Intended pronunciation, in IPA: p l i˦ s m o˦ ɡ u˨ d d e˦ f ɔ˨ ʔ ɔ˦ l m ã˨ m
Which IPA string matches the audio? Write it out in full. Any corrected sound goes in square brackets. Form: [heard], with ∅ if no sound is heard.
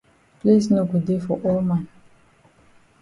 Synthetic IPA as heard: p l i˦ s [n] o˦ ɡ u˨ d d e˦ f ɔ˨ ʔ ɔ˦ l m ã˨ [n]